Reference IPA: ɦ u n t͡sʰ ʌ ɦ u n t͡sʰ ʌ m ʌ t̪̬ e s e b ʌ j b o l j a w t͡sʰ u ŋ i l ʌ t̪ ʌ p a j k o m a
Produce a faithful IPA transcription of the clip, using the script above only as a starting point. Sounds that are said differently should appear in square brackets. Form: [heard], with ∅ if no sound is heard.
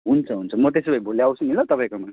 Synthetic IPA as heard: ɦ u n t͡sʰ ʌ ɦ u n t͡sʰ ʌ m ʌ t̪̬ e s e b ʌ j b o l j a w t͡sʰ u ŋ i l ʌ t̪ ʌ p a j k o m a

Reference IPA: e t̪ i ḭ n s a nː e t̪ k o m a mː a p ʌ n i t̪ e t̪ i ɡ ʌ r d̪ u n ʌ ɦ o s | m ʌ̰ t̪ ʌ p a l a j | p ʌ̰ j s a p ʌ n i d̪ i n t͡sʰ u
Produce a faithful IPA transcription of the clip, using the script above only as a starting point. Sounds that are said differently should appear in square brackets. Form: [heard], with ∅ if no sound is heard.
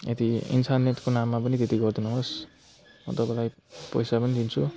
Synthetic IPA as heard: e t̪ i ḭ n s a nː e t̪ k o [n] a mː a p ʌ n i t̪ e t̪ i ɡ ʌ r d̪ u n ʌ ɦ o s | m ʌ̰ t̪ ʌ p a l a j | p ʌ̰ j s a p ʌ n i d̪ i n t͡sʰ u

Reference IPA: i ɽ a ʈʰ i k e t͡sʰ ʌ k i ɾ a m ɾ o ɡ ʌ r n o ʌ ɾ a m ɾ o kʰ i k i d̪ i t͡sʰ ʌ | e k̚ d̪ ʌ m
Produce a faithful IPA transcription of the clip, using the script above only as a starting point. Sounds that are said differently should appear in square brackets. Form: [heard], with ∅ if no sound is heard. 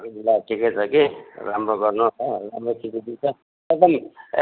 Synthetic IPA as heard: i [l] a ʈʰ i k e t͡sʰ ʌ k i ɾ a m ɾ o ɡ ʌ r n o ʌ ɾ a m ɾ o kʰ i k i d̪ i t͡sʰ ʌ | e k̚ d̪ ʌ m

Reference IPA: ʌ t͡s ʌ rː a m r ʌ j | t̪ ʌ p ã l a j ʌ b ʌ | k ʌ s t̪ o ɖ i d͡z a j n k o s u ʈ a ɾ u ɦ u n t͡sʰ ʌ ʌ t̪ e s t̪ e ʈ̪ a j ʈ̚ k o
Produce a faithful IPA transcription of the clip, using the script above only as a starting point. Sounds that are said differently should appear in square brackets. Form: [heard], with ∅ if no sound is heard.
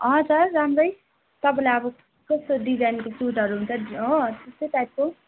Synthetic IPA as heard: ʌ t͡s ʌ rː a m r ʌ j | t̪ ʌ p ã l a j ʌ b ʌ | k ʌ s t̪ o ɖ i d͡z a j n k o s u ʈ [ʌ] ɾ u ɦ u n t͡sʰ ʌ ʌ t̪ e s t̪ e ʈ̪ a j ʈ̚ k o

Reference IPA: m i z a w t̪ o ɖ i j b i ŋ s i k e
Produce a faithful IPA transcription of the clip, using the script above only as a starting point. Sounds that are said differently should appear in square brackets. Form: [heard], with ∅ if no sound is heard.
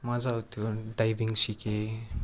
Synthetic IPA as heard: m [a] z a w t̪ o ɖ [a] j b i ŋ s i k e

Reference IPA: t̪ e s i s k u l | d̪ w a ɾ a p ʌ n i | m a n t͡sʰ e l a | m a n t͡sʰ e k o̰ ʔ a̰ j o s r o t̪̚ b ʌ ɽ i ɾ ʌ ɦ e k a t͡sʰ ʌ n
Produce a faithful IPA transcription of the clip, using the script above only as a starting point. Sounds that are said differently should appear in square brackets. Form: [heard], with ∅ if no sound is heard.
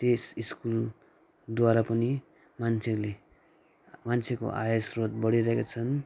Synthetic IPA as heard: t̪ e s i s k u l | d̪ w a ɾ a p ʌ n i | m a n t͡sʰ e l [e] | m a n t͡sʰ e k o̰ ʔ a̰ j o s r o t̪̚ b ʌ ɽ i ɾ ʌ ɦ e k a t͡sʰ ʌ n

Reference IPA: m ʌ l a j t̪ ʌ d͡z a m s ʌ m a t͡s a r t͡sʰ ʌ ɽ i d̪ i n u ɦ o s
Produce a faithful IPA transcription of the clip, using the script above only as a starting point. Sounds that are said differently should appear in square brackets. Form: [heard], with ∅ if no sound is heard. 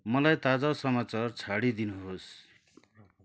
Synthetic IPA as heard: m ʌ l a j t̪ [a] d͡z a [∅] s ʌ m a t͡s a r t͡sʰ [a] ɽ i d̪ i n u ɦ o s

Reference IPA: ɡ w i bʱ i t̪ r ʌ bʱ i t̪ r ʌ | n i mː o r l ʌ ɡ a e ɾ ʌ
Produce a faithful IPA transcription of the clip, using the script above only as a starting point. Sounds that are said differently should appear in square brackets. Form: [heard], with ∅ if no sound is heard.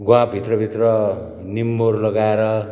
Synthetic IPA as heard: ɡ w [a] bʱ i t̪ r ʌ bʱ i t̪ r ʌ | n i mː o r l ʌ ɡ a e ɾ ʌ

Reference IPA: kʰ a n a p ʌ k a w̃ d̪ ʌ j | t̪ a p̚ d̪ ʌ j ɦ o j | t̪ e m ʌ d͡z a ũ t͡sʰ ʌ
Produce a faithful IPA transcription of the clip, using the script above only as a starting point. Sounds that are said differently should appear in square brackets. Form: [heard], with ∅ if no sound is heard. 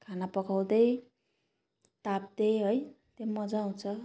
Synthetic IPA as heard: kʰ a n a p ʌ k a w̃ d̪ ʌ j | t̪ a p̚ d̪ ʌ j ɦ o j | t̪ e m ʌ d͡z a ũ t͡sʰ ʌ

